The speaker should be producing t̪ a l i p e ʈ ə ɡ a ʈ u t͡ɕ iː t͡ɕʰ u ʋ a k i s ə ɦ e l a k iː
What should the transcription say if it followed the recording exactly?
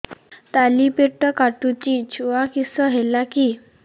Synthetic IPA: t̪ a l i p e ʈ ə k a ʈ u t͡ɕ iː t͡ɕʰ u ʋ a k i s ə ɦ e l a k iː